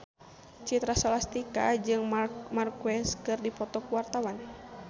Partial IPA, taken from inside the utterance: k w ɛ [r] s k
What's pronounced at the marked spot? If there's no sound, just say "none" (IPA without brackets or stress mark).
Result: none